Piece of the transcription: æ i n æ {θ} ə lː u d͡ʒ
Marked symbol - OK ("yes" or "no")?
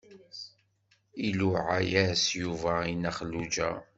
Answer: no